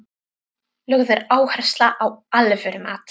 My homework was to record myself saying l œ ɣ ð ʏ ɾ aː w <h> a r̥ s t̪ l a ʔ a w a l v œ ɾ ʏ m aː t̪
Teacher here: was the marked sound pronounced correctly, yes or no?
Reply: yes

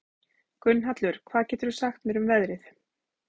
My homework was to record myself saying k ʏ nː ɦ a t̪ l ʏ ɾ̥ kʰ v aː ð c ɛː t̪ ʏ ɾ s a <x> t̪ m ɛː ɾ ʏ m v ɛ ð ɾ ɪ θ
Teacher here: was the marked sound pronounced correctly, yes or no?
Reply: yes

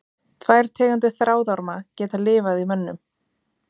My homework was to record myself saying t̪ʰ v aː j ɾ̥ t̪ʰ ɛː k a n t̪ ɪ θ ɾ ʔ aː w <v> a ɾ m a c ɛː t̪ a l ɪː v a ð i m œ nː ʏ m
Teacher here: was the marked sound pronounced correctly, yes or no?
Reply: no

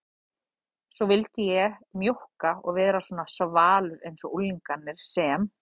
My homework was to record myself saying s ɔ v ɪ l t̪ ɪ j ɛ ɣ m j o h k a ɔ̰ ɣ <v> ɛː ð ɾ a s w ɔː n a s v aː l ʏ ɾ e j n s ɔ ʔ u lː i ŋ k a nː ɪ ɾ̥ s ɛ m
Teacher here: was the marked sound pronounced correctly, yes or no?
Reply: yes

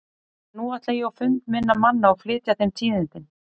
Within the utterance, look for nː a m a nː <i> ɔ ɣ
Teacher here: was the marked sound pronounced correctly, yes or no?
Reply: no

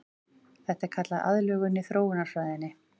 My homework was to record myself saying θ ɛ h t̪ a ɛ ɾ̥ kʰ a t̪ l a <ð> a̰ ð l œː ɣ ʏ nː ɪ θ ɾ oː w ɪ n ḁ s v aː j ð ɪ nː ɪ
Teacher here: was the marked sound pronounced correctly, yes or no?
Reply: yes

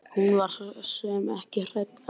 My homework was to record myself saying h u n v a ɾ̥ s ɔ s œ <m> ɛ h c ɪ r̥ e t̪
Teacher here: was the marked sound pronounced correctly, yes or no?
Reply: yes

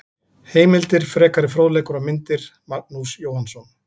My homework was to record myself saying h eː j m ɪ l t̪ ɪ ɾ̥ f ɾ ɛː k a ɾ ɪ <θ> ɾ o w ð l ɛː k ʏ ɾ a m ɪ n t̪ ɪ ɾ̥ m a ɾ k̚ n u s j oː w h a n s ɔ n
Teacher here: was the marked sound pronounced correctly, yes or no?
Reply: no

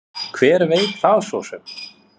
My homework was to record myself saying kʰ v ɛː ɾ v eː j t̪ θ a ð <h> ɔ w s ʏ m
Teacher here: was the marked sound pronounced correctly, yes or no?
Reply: no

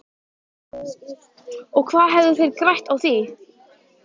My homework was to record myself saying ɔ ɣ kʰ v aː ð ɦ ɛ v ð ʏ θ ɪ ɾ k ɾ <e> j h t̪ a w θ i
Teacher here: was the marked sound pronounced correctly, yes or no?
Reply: no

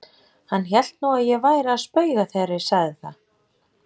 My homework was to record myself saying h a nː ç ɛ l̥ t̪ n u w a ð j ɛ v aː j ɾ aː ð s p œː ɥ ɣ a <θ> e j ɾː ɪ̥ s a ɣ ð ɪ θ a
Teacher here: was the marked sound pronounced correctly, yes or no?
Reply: yes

